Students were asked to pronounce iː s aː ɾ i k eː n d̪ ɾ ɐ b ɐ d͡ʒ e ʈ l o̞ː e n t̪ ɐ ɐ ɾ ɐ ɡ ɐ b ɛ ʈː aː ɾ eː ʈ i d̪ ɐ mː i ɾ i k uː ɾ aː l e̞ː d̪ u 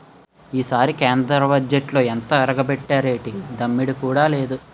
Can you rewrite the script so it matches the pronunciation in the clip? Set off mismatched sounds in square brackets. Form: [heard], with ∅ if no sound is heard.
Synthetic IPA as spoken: iː s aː ɾ i k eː n d̪ ɾ ɐ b ɐ d͡ʒ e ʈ l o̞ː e n t̪ ɐ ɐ ɾ ɐ ɡ ɐ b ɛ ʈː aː ɾ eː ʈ i d̪ ɐ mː i [ɽ] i k uː [ɽ] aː l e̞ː d̪ u